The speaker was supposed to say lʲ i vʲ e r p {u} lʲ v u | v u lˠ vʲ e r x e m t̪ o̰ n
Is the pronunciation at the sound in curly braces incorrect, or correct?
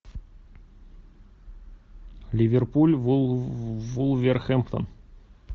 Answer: correct